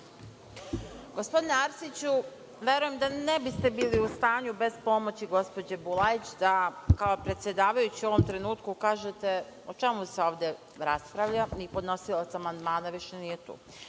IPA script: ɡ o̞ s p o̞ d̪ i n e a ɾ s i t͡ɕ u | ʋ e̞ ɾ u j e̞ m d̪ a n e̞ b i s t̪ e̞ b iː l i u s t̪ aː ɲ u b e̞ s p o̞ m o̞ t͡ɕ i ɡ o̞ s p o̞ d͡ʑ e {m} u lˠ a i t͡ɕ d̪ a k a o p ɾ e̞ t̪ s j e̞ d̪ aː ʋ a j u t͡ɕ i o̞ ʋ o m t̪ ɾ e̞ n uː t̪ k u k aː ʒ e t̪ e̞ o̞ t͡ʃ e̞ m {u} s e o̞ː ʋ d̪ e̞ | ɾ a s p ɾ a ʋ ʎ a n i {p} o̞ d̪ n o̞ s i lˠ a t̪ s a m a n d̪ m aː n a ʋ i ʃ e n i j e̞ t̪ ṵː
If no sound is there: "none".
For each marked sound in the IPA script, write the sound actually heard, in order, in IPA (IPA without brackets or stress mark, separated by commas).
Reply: b, u, p